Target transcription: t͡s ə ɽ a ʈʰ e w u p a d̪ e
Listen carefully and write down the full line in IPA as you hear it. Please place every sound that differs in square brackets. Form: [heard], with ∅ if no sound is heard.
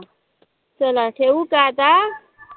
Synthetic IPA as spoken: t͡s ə [l] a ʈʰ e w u [k] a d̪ [a]